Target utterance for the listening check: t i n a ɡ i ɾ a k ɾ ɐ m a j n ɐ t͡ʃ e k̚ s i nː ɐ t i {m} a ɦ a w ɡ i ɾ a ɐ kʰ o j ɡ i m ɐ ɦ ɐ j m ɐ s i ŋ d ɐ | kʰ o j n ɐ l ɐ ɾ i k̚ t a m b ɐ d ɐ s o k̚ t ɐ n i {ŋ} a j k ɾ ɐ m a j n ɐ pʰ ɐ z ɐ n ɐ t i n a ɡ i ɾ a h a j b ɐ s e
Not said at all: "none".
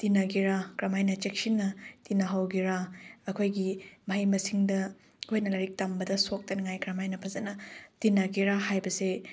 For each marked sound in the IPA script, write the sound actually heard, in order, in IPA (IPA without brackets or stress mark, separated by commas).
n, ŋ